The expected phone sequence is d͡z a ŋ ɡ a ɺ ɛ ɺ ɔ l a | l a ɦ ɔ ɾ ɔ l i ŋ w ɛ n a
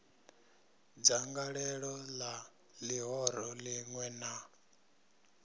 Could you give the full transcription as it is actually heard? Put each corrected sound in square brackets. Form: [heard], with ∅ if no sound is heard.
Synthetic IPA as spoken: d͡z a ŋ ɡ a ɺ ɛ ɺ ɔ l a | l [i] ɦ ɔ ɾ ɔ l i ŋ w ɛ n a